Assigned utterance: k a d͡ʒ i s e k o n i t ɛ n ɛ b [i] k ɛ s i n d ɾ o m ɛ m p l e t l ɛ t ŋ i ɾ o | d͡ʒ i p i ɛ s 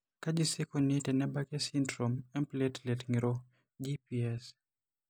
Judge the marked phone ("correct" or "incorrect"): incorrect